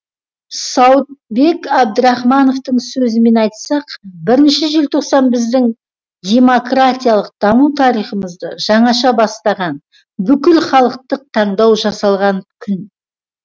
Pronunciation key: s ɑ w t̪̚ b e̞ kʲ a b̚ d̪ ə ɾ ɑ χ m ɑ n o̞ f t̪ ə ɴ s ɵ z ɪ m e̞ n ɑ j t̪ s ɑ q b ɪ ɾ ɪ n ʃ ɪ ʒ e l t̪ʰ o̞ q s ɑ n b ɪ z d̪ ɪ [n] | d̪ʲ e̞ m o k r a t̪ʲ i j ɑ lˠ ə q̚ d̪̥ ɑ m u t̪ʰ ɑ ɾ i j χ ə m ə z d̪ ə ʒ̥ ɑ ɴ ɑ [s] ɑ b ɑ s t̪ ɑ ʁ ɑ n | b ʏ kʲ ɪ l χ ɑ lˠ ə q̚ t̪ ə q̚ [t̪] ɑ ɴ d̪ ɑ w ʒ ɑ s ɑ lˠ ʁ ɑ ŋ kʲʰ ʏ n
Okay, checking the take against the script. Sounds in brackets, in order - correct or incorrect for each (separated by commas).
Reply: incorrect, incorrect, incorrect